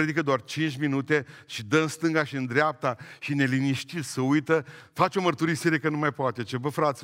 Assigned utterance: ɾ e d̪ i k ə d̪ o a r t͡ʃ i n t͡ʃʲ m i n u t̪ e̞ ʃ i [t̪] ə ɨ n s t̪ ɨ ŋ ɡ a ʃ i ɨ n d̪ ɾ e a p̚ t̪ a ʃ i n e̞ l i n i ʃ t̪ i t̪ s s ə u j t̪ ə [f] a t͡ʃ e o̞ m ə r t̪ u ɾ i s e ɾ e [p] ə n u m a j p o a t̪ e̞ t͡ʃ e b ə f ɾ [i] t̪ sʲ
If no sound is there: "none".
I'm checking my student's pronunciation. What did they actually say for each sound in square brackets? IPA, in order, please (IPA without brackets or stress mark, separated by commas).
d̪, f, k, a